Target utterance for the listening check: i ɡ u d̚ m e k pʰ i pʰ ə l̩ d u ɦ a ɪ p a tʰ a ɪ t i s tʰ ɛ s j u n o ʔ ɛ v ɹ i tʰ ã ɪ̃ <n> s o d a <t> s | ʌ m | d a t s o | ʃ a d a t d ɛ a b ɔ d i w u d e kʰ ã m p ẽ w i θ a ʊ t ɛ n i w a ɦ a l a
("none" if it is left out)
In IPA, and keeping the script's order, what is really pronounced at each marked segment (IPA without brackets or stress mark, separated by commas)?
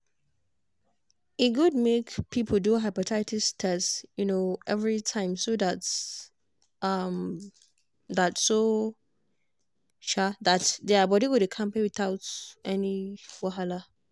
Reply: m, t